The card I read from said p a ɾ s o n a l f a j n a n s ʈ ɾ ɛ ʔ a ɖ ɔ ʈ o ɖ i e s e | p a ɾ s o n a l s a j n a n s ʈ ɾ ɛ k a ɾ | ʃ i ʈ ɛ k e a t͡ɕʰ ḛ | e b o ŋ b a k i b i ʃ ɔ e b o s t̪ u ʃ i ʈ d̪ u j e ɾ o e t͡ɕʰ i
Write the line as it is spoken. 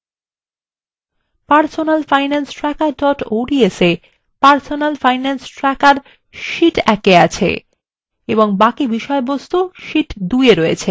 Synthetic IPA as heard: p a ɾ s o n a l f a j n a n s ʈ ɾ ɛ k a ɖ ɔ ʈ o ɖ i e s e | p a ɾ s o n a l f a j n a n s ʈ ɾ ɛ k a ɾ | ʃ i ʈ ɛ k e a t͡ɕʰ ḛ | e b o ŋ b a k i b i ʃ ɔ e b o s t̪ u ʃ i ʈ d̪ u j e ɾ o e t͡ɕʰ e